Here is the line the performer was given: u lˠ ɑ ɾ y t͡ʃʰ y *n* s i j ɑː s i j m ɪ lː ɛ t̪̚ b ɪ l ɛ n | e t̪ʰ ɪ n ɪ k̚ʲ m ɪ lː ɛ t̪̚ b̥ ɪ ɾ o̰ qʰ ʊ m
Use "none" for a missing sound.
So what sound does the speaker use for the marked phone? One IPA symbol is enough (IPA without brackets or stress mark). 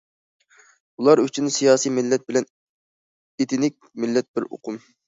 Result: n